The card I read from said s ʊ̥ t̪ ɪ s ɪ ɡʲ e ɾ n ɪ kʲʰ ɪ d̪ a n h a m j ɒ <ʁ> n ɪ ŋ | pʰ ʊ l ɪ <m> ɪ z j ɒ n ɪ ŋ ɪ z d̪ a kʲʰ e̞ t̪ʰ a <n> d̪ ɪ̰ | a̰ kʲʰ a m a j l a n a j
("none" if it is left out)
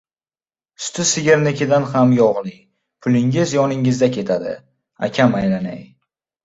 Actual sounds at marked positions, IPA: ʁ, ŋ, none

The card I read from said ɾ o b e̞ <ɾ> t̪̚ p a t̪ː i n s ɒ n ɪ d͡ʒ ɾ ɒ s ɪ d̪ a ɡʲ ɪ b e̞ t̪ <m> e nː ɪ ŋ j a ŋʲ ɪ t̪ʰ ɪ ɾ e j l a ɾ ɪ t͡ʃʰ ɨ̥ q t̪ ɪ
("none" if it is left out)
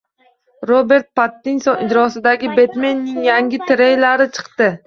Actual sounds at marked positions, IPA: ɾ, m

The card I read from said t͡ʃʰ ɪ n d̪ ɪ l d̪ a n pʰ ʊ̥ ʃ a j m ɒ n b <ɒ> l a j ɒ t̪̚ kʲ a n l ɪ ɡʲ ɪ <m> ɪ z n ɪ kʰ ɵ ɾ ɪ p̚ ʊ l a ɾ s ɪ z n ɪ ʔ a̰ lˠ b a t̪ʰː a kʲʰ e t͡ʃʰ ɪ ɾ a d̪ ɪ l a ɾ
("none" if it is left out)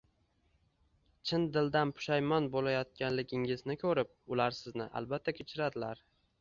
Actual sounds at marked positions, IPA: o, ŋ

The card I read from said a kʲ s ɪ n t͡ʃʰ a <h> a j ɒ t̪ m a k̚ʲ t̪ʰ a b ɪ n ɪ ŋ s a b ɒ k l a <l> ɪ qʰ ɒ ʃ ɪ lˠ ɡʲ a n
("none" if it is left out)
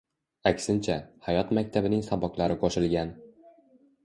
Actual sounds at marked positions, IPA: h, ɾ

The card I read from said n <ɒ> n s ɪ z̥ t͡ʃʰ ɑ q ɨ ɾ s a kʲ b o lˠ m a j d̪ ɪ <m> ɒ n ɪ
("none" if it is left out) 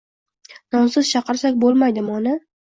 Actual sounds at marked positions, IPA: ɒ, m

